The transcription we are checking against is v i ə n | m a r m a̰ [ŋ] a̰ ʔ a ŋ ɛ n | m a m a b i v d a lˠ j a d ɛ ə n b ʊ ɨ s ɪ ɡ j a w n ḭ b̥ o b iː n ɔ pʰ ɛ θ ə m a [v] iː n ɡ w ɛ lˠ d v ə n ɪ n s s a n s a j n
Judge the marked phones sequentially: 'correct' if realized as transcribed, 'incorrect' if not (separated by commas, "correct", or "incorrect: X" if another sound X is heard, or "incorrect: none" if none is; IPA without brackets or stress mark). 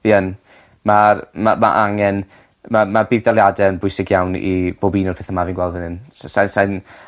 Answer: incorrect: m, correct